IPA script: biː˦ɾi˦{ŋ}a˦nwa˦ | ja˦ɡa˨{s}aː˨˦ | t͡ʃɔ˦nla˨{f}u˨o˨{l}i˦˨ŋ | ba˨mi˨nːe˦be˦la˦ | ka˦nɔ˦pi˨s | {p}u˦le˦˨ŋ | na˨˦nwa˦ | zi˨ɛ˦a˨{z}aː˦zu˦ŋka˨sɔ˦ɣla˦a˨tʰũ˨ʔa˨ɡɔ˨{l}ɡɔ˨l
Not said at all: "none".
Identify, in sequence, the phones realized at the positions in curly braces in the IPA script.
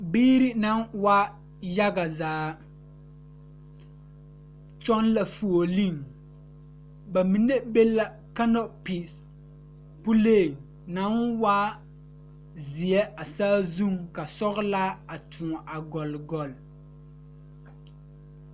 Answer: n, z, f, l, p, s, l

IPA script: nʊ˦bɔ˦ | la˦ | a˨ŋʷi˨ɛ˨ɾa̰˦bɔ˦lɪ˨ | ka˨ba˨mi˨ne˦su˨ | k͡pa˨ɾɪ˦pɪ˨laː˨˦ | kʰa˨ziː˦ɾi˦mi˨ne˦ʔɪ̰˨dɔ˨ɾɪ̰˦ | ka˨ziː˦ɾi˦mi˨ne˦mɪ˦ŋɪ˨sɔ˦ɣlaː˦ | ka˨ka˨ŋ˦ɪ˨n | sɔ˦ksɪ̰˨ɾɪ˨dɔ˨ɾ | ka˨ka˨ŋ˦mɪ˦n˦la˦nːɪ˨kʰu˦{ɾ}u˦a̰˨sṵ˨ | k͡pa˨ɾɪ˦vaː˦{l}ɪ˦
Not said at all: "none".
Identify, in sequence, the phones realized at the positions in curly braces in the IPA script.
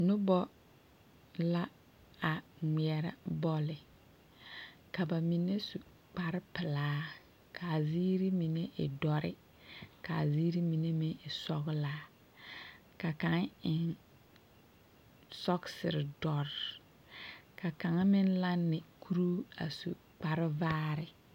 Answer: ɾ, ɾ

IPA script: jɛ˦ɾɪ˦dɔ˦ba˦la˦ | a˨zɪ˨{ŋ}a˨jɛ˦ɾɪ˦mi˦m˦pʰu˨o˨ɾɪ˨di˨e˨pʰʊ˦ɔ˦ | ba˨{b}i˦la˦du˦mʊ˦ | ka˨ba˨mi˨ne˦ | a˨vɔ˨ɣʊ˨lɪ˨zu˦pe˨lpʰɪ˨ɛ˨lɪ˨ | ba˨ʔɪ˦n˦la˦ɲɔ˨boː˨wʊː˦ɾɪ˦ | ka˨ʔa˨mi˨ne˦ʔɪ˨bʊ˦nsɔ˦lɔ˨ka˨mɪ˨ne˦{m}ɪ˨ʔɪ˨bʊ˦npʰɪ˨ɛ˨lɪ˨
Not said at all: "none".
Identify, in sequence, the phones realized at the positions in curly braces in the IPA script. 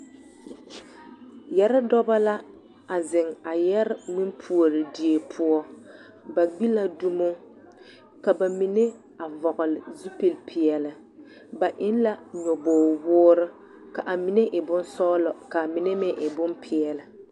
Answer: ŋ, ɡ͡b, m

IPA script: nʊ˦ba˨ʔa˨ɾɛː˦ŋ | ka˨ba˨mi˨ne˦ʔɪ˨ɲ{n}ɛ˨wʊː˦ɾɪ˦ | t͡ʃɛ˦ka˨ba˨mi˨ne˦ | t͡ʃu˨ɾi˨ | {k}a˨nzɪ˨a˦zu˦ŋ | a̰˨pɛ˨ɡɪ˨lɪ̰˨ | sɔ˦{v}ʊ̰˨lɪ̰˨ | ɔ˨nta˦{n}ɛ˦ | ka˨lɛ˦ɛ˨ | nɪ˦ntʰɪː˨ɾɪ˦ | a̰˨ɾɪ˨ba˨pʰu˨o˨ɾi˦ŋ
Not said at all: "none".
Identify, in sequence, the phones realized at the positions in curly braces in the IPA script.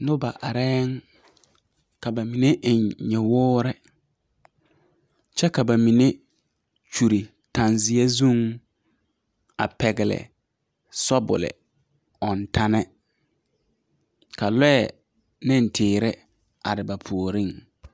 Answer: ɲ, t, b, n

